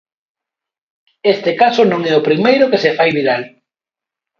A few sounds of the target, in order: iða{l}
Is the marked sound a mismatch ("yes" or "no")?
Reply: no